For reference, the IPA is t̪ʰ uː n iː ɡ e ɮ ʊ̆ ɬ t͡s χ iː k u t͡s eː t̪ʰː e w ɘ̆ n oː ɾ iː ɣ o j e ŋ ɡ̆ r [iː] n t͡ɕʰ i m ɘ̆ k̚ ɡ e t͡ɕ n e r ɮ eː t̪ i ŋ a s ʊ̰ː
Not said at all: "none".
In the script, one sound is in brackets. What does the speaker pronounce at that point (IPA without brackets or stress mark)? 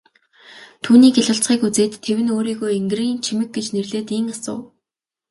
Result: iː